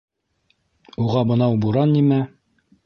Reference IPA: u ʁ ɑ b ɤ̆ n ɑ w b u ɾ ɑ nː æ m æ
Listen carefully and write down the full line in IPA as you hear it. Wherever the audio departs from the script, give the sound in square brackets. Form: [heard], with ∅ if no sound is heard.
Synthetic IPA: u ʁ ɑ b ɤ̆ n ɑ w b u ɾ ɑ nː [i] m æ